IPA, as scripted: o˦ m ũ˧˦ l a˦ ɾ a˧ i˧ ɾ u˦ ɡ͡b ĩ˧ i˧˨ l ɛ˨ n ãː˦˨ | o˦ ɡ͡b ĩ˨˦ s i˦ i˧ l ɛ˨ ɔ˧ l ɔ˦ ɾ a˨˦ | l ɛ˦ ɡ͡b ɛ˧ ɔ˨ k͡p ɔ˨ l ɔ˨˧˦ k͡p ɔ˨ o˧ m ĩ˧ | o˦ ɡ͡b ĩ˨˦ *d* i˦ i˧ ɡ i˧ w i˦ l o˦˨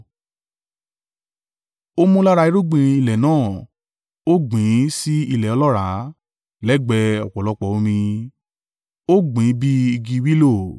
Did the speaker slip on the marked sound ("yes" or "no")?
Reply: yes